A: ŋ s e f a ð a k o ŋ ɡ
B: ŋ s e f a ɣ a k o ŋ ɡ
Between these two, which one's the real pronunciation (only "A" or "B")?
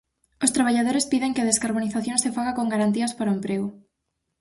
B